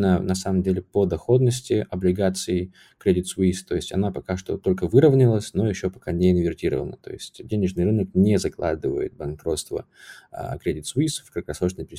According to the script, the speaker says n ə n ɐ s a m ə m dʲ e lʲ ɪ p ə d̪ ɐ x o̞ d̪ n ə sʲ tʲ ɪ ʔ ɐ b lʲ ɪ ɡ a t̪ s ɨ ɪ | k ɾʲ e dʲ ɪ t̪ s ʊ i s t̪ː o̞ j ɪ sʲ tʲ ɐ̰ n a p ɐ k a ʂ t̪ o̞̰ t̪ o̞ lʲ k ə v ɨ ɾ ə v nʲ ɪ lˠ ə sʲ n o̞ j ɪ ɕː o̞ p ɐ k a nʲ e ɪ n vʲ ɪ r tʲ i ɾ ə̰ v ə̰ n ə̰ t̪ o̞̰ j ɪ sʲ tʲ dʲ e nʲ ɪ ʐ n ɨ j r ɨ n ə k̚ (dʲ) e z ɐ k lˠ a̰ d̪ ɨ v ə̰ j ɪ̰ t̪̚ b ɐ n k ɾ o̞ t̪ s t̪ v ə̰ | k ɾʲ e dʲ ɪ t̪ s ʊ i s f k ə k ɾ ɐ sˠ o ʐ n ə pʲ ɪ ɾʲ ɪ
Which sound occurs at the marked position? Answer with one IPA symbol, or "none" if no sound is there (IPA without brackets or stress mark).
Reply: nʲ